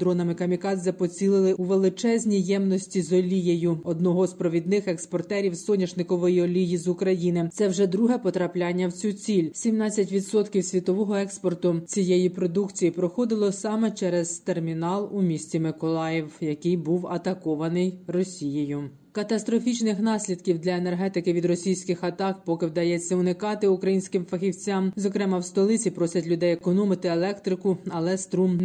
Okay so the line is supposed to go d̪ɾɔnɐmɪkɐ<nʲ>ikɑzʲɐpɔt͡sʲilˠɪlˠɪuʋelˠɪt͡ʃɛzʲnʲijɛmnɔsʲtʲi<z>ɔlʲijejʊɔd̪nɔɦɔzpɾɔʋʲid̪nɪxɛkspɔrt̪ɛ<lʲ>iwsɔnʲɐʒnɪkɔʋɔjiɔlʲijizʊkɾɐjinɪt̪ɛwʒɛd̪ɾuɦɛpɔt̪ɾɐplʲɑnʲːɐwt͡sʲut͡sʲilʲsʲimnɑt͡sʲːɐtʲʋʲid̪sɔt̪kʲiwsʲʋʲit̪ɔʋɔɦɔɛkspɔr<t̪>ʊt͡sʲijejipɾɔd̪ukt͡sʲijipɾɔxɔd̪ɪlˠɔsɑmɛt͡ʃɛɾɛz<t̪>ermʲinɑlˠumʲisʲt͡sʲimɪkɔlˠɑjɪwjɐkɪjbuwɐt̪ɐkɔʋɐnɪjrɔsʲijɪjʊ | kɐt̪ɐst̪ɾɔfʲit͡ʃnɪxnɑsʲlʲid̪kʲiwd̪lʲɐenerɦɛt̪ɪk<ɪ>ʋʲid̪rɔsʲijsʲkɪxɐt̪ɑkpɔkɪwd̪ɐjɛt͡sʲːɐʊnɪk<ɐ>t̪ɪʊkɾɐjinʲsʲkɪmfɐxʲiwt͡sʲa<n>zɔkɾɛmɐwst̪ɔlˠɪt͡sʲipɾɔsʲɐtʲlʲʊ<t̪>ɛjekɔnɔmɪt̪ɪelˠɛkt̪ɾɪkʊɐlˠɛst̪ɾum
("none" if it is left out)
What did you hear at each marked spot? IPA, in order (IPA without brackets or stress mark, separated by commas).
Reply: mʲ, z, ɾʲ, t̪, t̪, ɪ, ɑ, m, d̪